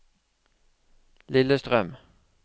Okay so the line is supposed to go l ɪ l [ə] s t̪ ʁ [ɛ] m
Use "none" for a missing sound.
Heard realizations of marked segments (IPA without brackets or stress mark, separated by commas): ə, œ